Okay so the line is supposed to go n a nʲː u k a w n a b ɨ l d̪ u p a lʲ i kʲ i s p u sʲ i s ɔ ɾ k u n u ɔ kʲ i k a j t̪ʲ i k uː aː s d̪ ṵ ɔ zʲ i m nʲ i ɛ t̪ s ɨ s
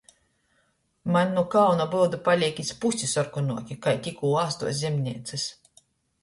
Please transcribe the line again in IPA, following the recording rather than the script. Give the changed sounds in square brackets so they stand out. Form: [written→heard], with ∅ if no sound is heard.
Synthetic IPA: [n→m] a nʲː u k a w n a b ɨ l d̪ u p a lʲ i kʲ i s p u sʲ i s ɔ ɾ k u n u ɔ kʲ i k a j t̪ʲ i k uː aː s [d̪→t̪] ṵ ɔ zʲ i m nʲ i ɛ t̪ s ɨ s